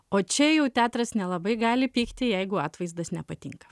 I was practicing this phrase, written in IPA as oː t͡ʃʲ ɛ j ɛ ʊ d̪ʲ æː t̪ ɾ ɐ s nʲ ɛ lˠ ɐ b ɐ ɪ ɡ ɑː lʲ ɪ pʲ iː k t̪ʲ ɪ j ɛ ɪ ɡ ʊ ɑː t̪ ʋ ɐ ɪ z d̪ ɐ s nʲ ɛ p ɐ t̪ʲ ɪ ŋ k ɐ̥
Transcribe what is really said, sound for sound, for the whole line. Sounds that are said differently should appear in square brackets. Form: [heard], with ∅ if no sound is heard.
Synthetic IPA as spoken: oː t͡ʃʲ ɛ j ɛ ʊ [t̪ʲ] æː t̪ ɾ ɐ s nʲ ɛ lˠ ɐ b ɐ ɪ ɡ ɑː lʲ ɪ pʲ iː k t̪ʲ ɪ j ɛ ɪ ɡ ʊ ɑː t̪ ʋ ɐ ɪ z d̪ ɐ s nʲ ɛ p ɐ t̪ʲ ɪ ŋ k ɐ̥

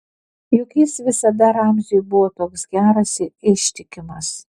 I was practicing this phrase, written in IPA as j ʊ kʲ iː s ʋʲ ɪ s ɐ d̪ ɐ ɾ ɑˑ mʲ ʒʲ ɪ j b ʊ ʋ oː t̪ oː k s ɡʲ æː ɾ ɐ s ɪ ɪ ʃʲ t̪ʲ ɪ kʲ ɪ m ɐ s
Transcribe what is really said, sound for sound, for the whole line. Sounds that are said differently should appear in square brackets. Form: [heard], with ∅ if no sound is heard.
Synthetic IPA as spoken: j ʊ kʲ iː s ʋʲ ɪ s ɐ d̪ ɐ ɾ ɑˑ mʲ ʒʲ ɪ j b ʊ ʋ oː t̪ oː k s ɡʲ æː ɾ ɐ s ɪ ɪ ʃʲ t̪ʲ ɪ kʲ ɪ m ɐ s

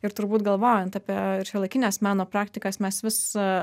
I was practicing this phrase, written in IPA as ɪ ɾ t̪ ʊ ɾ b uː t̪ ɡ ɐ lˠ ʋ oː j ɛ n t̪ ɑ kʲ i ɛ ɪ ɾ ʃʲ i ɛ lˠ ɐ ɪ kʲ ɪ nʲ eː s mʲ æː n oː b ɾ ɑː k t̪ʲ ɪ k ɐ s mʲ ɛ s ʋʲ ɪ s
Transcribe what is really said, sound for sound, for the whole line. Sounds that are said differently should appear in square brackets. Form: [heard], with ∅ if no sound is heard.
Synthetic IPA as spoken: ɪ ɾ t̪ ʊ ɾ b uː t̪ ɡ ɐ lˠ ʋ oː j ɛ n t̪ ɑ [pʲ] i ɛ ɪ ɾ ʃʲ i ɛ lˠ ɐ ɪ kʲ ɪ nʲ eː s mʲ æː n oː [p] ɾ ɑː k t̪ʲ ɪ k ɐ s mʲ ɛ s ʋʲ ɪ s

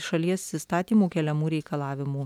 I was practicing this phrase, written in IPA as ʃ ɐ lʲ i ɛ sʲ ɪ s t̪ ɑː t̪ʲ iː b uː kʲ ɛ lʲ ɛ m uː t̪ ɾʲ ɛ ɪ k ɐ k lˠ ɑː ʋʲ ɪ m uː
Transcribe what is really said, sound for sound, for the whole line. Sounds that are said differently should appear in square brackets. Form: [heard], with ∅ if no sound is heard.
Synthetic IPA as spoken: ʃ ɐ lʲ i ɛ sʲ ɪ s t̪ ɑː t̪ʲ iː [m] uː kʲ ɛ lʲ ɛ m uː [∅] ɾʲ ɛ ɪ k ɐ [∅] lˠ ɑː ʋʲ ɪ m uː

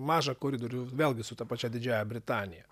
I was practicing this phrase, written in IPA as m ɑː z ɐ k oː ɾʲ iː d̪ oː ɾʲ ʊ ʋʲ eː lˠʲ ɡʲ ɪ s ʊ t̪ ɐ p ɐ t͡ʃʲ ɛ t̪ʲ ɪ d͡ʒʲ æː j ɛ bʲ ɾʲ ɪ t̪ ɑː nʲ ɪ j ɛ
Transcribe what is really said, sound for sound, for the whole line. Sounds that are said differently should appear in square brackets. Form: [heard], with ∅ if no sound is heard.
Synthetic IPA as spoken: m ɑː [ʒ] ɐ k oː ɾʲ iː d̪ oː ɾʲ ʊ ʋʲ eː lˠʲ ɡʲ ɪ s ʊ t̪ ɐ p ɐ t͡ʃʲ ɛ [d̪ʲ] ɪ d͡ʒʲ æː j ɛ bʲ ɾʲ ɪ t̪ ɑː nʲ ɪ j ɛ

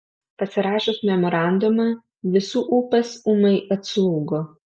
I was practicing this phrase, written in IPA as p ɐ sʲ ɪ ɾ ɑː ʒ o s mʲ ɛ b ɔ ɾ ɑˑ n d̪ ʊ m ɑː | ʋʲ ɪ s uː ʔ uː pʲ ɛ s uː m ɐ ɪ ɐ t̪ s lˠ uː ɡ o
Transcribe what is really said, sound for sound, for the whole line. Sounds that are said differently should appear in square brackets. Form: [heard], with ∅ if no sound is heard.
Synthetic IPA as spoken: p ɐ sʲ ɪ ɾ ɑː [ʃ] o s mʲ ɛ [m] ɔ ɾ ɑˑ n d̪ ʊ m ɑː | ʋʲ ɪ s uː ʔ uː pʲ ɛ s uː m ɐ ɪ ɐ t̪ s lˠ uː ɡ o

